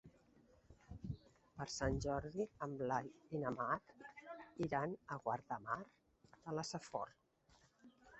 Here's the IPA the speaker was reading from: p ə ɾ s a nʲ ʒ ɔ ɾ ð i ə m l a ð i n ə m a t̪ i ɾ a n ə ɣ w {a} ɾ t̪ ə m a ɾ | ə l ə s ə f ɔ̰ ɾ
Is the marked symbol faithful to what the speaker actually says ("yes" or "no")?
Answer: yes